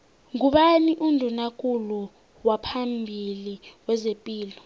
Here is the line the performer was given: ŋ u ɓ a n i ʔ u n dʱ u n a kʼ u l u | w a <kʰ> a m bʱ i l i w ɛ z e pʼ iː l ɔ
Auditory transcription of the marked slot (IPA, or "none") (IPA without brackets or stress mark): pʰ